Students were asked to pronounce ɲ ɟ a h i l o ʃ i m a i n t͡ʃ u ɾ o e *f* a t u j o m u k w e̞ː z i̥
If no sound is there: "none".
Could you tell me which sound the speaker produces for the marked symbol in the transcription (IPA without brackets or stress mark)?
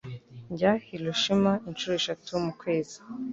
ʃ